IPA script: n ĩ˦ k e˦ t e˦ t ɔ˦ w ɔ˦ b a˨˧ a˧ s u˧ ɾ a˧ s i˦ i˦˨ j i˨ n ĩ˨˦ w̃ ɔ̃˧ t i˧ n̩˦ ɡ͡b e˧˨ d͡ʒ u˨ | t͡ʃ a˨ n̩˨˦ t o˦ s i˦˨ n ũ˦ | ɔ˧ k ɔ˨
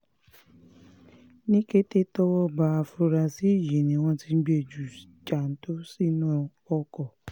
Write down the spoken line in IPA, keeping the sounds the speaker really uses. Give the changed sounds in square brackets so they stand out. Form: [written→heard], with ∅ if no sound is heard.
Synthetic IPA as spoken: n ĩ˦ k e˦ t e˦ t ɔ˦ w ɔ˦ b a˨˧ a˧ [s→f] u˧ ɾ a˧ s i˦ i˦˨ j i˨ n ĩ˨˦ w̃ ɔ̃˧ t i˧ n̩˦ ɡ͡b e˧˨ d͡ʒ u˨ | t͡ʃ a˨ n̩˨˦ t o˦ s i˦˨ n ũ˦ | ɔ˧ k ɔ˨